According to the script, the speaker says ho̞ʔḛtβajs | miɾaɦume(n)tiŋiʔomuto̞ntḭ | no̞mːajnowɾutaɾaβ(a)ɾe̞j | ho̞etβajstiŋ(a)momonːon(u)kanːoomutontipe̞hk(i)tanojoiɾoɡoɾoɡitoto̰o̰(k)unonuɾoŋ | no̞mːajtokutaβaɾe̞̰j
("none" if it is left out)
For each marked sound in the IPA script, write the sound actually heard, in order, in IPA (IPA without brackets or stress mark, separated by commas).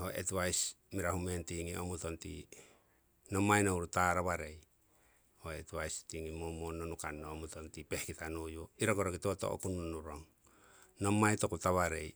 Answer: n, a, i, u, i, k